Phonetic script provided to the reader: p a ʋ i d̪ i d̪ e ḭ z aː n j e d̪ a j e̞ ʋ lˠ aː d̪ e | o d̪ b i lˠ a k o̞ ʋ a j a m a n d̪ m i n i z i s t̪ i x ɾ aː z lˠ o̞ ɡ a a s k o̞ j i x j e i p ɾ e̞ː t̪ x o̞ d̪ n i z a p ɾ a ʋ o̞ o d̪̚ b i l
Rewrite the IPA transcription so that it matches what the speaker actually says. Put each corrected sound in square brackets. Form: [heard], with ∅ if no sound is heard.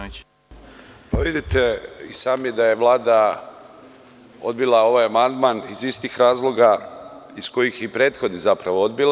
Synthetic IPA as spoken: p a ʋ i d̪ i [t̪] e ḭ [s] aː [m] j e d̪ a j e̞ ʋ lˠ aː d̪ [a] | o d̪ b i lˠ a [∅] o̞ ʋ a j a m a n d̪ m [a] n i z i s t̪ i x ɾ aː z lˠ o̞ ɡ a [i] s k o̞ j i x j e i p ɾ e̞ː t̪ x o̞ d̪ n i z a p ɾ a ʋ o̞ o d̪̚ b i l